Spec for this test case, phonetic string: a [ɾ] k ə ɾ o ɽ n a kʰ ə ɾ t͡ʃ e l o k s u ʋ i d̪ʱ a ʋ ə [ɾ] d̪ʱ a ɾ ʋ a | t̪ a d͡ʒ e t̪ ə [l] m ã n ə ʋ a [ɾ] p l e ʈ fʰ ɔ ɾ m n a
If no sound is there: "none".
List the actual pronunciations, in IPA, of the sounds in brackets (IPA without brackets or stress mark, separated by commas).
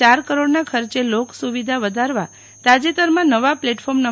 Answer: ɾ, none, ɾ, none